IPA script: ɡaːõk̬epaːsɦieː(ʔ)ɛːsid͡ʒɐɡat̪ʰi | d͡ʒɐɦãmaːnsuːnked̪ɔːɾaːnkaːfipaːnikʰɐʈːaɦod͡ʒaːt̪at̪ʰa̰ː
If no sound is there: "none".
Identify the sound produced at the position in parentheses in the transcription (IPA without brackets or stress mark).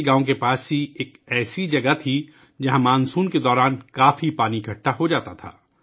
k